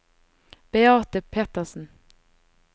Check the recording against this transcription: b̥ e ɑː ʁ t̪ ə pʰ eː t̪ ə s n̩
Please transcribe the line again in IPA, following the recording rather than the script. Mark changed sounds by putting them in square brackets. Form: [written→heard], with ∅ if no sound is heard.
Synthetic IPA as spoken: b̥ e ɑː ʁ t̪ ə pʰ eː t̪ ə s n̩